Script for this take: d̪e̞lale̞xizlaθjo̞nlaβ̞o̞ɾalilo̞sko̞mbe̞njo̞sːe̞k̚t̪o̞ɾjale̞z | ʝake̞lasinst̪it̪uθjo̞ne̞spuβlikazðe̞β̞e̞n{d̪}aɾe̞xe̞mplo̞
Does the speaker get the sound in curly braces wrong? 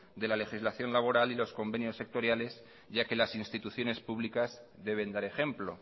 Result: no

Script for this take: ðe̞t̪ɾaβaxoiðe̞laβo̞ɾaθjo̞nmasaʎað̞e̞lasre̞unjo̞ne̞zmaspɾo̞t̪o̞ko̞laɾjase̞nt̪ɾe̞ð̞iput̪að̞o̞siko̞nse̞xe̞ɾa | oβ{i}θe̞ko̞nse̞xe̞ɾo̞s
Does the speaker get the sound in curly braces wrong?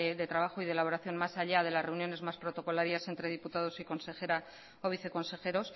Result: no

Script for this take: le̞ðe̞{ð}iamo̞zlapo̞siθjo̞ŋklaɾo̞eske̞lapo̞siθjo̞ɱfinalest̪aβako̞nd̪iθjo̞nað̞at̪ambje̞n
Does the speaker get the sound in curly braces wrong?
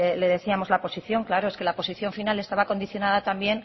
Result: yes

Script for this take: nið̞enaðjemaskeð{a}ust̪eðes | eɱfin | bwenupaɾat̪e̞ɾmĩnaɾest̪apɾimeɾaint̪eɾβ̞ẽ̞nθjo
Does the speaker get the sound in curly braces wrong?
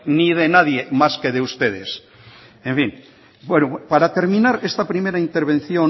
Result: yes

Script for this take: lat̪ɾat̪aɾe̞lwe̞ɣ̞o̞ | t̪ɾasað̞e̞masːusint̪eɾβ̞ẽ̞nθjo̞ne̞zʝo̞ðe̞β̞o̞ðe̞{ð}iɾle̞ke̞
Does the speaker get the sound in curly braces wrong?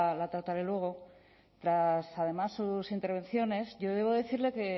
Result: yes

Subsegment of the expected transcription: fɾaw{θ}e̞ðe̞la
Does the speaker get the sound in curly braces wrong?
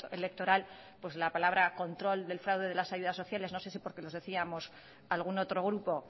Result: yes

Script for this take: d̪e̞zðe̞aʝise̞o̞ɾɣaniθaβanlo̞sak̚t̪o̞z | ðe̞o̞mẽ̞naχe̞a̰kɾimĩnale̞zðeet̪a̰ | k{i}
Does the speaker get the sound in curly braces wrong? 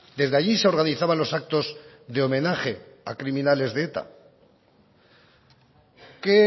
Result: yes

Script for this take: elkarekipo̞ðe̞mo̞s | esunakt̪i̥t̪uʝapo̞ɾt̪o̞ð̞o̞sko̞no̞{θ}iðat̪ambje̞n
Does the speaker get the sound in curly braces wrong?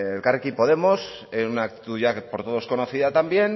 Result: no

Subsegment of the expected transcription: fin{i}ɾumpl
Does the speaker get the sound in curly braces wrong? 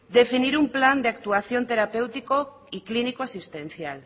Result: no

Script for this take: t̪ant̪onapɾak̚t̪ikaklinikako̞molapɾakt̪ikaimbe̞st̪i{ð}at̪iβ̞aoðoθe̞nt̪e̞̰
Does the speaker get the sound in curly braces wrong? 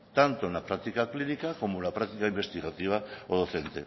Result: yes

